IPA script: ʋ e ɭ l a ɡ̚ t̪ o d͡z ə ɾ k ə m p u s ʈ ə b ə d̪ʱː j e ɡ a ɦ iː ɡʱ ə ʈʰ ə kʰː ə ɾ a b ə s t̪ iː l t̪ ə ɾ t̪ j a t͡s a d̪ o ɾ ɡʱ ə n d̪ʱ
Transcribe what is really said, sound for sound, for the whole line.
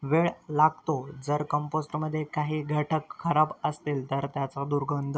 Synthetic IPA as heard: ʋ e ɭ l a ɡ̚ t̪ o d͡z ə ɾ k ə m p o s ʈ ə m ə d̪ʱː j e k a ɦ iː ɡʱ ə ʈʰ ə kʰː ə ɾ a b ə s t̪ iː l t̪ ə ɾ t̪ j a t͡s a d̪ u ɾ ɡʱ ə n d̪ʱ

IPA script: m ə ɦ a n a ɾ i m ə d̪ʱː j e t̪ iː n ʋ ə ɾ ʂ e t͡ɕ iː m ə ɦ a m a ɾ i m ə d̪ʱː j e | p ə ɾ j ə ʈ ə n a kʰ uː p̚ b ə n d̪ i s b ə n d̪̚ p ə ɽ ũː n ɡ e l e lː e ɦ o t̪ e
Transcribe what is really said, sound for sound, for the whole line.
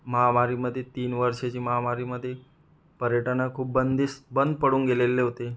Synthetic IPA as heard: m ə ɦ a m a ɾ i m ə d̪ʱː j e t̪ iː n ʋ ə ɾ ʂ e t͡ɕ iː m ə ɦ a m a ɾ i m ə d̪ʱː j e | p ə ɾ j ə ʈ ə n a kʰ uː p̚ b ə n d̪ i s b ə n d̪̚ p ə ɽ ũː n ɡ e l e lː e ɦ o t̪ e

